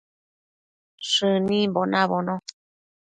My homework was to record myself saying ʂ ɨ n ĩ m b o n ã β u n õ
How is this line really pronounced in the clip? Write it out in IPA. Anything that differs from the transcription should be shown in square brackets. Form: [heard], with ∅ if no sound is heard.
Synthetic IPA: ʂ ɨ n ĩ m b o n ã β [o] n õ